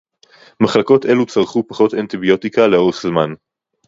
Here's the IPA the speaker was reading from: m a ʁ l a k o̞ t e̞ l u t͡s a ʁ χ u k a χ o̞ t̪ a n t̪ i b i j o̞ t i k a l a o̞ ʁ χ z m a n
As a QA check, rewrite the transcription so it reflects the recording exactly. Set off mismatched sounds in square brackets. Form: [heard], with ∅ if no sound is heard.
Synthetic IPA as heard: m a [χ] l a k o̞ t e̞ l u t͡s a ʁ χ u [p] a χ o̞ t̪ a n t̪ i b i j o̞ t i k a l [e] o̞ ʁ χ z m a n